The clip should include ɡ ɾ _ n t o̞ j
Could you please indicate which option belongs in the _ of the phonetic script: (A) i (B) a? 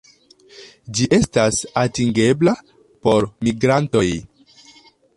B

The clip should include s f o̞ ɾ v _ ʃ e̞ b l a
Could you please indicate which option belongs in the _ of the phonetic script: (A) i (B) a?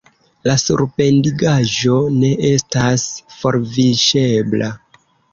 A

